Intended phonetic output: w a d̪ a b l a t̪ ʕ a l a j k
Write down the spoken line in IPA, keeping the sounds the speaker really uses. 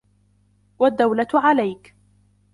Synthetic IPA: w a d̪ː a w l a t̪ ʕ a l a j k